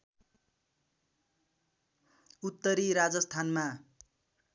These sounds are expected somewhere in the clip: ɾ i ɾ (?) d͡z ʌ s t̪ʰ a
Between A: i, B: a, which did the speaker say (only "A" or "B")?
B